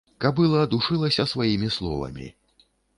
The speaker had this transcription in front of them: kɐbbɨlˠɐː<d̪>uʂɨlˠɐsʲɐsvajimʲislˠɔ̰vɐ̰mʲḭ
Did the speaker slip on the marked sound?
no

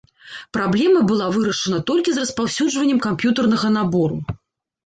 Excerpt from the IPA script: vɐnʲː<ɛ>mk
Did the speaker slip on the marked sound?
no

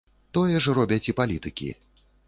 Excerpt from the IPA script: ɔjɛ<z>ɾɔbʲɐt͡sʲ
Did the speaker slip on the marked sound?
yes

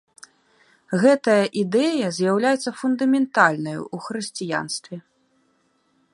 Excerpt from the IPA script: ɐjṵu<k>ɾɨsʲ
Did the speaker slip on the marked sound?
yes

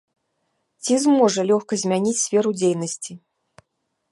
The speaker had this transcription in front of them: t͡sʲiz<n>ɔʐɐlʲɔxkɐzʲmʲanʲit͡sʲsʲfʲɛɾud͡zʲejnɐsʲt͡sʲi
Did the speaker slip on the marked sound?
yes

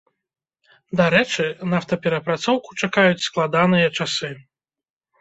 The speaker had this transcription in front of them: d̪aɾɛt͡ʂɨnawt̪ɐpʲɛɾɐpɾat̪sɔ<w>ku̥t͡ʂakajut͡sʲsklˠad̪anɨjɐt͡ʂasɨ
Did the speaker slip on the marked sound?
no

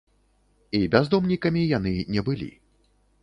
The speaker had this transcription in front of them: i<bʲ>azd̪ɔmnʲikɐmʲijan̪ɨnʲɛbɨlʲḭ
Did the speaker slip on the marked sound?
no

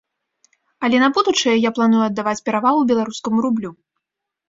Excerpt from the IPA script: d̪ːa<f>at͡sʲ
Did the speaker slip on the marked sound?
yes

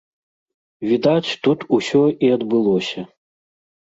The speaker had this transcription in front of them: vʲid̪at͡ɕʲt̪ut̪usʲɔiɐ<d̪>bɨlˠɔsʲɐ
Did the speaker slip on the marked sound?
no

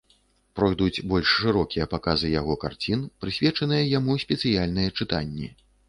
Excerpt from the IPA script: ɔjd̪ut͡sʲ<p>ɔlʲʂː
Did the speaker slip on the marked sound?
yes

